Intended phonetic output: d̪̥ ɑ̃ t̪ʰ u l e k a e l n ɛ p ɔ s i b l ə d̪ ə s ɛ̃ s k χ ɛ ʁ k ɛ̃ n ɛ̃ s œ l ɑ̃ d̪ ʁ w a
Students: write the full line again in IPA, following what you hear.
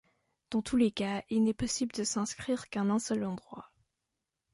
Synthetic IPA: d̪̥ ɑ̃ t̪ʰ u l e k a i l n ɛ p ɔ s i b l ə d̪ ə s ɛ̃ s k χ i ʁ k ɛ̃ n ɛ̃ s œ l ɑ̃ d̪ ʁ w a